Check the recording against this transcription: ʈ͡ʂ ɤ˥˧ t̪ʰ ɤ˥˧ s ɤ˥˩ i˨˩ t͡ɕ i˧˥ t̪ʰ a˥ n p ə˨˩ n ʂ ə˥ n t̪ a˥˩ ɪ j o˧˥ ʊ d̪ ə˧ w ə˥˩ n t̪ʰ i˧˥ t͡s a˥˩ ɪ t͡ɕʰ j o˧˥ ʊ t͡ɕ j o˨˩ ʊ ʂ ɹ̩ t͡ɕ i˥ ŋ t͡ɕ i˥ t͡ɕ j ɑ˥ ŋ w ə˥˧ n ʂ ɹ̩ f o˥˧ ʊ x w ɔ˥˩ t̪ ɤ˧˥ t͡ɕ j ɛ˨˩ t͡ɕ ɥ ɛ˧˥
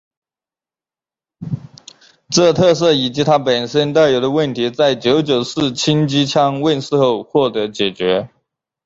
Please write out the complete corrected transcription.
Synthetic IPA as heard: ʈ͡ʂ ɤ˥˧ t̪ʰ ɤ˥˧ s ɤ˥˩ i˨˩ t͡ɕ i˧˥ t̪ʰ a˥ p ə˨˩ n ʂ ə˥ n t̪ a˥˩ ɪ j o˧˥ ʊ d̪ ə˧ w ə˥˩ n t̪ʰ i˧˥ t͡s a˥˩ ɪ t͡ɕ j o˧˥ ʊ t͡ɕ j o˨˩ ʊ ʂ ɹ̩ t͡ɕʰ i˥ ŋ t͡ɕ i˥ t͡ɕʰ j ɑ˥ ŋ w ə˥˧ n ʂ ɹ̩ x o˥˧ ʊ x w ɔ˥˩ t̪ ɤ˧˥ t͡ɕ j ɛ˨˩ t͡ɕ ɥ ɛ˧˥